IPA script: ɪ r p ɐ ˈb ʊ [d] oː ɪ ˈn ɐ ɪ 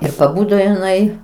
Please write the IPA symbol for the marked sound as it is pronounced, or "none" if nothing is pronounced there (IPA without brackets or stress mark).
d